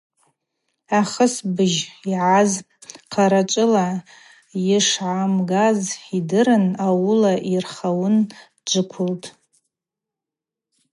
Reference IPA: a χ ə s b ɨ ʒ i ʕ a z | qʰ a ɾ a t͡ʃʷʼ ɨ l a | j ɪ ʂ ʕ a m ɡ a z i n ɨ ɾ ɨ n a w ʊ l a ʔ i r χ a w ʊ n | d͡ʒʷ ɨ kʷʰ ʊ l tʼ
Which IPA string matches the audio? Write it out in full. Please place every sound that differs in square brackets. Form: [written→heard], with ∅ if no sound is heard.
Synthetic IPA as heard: a χ ə s b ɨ ʒ i ʕ a z | qʰ a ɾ a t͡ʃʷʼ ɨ l a | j ɪ ʂ ʕ a m ɡ a z i [n→d] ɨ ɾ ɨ n a w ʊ l a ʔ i r χ a w ʊ n | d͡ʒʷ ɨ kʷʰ ʊ l tʼ